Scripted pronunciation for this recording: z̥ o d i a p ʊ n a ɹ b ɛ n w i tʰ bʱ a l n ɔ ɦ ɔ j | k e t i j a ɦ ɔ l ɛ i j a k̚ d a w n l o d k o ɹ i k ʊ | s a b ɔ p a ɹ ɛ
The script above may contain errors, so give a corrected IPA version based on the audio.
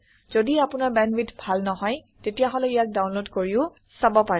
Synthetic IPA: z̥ o d i a p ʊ n a ɹ b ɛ n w i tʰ bʱ a l n ɔ ɦ ɔ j | t e t i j a ɦ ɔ l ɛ i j a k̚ d a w n l o d k o ɹ i ʊ | s a b ɔ p a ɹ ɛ